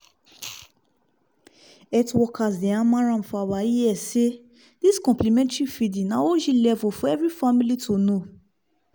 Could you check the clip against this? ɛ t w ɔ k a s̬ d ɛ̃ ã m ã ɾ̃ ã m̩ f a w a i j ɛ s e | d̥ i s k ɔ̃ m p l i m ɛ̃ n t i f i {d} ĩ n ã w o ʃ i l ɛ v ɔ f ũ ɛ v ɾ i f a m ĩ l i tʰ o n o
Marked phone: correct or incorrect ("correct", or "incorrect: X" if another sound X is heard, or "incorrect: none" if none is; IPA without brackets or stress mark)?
correct